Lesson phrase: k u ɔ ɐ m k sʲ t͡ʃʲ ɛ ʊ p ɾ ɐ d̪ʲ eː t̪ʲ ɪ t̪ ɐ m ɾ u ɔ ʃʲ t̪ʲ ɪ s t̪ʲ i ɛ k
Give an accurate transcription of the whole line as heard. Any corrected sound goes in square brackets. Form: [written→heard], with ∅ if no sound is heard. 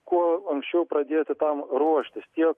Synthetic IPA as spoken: k u ɔ ɐ [m→ŋ] k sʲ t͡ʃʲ ɛ ʊ p ɾ ɐ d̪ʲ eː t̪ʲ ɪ t̪ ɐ m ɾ u ɔ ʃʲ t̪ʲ ɪ s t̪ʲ i ɛ k